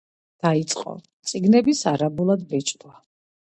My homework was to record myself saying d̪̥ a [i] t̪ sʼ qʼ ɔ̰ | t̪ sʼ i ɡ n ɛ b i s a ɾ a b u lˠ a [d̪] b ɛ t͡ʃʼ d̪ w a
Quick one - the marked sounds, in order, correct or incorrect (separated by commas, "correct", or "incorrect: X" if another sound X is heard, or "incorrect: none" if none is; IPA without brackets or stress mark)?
correct, correct